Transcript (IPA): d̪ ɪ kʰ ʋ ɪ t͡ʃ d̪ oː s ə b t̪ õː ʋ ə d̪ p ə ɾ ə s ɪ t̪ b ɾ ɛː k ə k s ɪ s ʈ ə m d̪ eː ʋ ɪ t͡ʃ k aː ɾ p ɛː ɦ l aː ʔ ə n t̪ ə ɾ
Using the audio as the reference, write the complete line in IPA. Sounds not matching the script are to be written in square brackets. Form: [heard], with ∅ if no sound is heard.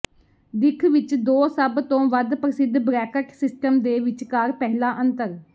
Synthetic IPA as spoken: d̪ ɪ kʰ ʋ ɪ t͡ʃ d̪ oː s ə b t̪ õː ʋ ə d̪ p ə ɾ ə s ɪ [d̪] b ɾ ɛː k ə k s ɪ s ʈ ə m d̪ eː ʋ ɪ t͡ʃ k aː ɾ p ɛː ɦ l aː ʔ ə n t̪ ə ɾ

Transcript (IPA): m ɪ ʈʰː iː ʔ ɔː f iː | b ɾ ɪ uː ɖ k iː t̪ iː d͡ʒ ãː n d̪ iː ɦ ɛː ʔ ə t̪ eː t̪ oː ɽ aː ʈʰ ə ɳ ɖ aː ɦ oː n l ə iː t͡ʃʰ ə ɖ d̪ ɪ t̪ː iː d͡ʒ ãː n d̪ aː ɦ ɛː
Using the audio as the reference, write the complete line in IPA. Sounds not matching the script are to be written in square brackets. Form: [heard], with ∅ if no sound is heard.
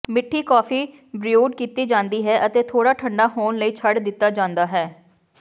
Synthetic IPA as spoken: m ɪ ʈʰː iː [k] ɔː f iː | b ɾ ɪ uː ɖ k iː t̪ iː d͡ʒ ãː n d̪ iː ɦ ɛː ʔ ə t̪ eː [t̪ʰ] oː ɽ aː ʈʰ ə ɳ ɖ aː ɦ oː n l ə iː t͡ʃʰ ə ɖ d̪ ɪ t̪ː [aː] d͡ʒ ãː n d̪ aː ɦ ɛː

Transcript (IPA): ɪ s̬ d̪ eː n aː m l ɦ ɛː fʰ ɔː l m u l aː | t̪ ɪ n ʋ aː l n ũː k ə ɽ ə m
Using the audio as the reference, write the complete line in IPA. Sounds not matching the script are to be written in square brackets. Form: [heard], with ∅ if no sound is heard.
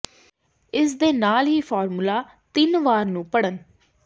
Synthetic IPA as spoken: ɪ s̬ d̪ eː n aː [∅] l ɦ [iː] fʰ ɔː [ɾ] m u l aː | t̪ ɪ n ʋ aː [ɾ] n ũː [p] ə ɽ ə [n]

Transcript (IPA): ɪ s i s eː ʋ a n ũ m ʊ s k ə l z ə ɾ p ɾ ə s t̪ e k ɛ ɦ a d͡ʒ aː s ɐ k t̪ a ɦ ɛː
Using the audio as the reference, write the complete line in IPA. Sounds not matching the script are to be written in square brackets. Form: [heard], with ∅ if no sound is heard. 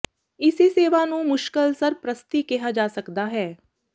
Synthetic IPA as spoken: ɪ s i s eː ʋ a n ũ m ʊ [ʃ] k ə l [s] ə ɾ p ɾ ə s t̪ [i] k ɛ ɦ a d͡ʒ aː s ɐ k [d̪] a ɦ ɛː

